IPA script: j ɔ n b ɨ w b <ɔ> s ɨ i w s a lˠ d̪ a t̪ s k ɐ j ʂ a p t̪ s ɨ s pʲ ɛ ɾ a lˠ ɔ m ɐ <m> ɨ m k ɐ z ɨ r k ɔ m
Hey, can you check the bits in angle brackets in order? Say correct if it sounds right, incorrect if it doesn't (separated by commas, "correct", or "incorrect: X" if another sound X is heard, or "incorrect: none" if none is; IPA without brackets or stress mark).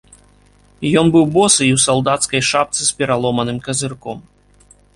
correct, incorrect: n